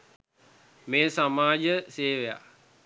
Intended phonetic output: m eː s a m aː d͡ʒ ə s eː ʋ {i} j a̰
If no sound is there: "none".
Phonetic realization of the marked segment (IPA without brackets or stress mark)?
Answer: e